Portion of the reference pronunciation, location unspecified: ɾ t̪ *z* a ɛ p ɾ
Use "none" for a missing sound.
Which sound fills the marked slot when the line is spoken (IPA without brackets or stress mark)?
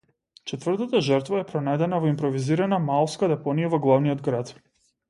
v